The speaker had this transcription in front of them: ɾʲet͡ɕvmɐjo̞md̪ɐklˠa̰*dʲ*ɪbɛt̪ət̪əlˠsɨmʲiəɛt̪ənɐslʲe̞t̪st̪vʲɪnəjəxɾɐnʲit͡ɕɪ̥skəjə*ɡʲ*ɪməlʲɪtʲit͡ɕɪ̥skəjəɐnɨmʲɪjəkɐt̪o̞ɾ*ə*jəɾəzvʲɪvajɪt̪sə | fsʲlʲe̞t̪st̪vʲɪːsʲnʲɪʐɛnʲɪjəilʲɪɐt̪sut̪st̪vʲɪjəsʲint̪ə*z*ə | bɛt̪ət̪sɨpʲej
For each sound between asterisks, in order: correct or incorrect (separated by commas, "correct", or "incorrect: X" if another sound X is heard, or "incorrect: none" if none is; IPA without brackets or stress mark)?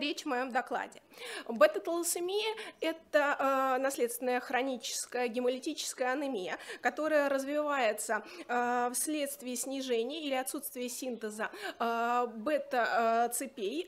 correct, correct, correct, correct